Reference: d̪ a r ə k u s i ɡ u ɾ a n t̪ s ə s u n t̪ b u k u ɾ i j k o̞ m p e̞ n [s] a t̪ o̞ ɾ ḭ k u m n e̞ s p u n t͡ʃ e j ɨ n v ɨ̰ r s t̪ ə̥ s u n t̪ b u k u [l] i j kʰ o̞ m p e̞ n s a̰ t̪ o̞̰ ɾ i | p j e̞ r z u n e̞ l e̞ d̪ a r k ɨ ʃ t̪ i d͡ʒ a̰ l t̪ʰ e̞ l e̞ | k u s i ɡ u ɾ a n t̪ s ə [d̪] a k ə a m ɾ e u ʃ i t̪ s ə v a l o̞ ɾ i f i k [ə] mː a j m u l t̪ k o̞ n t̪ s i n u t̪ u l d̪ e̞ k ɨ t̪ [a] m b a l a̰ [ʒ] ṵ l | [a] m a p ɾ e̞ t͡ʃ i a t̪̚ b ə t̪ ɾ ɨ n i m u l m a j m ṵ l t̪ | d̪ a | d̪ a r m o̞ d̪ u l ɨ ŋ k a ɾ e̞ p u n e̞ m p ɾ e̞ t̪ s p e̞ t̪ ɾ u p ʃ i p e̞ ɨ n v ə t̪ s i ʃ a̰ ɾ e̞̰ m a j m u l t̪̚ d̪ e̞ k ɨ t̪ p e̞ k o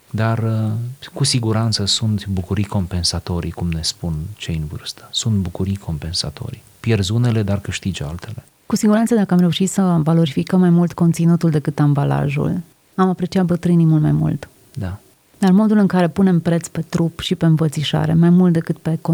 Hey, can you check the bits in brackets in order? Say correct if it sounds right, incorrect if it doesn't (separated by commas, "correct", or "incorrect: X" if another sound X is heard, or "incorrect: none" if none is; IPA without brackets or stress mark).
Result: correct, incorrect: ɾ, correct, correct, correct, correct, correct